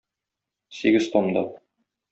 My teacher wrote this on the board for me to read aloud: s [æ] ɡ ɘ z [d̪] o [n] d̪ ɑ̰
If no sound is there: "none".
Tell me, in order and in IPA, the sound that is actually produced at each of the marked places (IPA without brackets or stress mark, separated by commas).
i, t̪, m